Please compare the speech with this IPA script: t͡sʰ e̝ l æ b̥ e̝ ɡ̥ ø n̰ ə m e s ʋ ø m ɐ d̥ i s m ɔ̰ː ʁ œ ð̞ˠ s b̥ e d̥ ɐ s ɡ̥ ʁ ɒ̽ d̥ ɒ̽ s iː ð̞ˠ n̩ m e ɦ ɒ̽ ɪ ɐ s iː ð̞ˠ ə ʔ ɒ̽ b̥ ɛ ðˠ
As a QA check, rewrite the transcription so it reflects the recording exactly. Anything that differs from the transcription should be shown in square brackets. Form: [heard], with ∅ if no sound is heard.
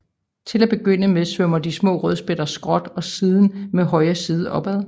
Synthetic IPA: t͡sʰ e̝ l æ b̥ e̝ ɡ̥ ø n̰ ə m e s ʋ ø m ɐ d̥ i s m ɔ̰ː ʁ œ ð̞ˠ s b̥ e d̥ ɐ s ɡ̥ ʁ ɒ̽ d̥ ɒ̽ s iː ð̞ˠ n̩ m e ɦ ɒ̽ ɪ ɐ s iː ð̞ˠ ə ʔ ɒ̽ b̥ ɛ ðˠ